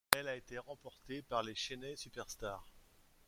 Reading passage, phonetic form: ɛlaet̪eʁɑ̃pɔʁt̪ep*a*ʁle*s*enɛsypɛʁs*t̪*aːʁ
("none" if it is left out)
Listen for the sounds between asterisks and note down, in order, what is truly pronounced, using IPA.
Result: a, ʃ, t̪

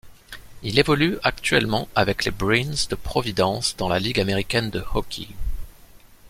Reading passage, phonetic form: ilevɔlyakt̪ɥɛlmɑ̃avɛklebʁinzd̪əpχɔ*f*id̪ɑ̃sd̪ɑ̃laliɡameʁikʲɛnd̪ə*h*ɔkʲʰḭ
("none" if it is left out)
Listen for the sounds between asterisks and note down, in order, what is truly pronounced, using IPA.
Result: v, h

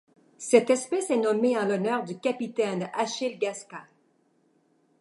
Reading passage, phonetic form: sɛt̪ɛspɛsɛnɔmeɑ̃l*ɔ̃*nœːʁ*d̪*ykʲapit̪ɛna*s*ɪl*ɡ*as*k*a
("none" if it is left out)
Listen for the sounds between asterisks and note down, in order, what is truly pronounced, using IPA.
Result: ɔ, d̪, ʃ, ɡ, k

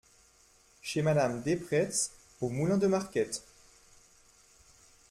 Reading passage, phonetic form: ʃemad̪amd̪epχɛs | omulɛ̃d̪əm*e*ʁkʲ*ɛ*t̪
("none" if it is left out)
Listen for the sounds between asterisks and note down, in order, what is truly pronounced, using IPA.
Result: a, ɛ

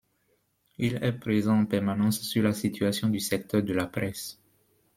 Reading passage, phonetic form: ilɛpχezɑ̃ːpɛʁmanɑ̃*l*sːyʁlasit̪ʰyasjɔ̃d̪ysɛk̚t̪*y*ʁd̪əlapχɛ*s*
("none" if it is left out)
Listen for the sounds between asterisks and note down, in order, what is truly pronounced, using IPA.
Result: none, œ, s

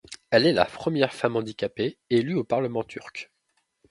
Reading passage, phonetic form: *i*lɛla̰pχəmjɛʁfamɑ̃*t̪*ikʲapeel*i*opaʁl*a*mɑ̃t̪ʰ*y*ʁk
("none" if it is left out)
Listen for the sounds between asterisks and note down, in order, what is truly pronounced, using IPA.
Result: ɛ, d̪, y, ə, y

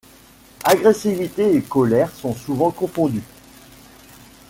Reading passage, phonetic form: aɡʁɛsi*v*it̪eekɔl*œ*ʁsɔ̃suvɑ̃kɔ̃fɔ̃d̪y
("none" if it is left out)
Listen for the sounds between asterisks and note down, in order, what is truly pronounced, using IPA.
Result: v, ɛ

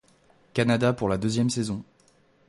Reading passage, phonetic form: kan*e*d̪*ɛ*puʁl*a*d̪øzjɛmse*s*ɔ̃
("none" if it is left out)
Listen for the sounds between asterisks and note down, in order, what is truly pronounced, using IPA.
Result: a, a, a, z

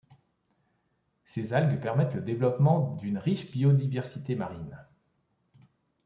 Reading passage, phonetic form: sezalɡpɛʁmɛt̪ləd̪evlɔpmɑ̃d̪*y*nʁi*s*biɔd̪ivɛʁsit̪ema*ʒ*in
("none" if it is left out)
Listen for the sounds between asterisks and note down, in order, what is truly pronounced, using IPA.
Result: y, ʃ, ʁ

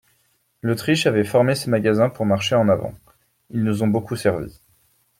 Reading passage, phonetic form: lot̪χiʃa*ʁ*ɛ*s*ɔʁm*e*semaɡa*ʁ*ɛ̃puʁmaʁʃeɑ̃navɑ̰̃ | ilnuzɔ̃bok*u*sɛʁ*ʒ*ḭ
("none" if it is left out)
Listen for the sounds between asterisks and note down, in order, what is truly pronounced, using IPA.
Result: v, f, e, z, u, v

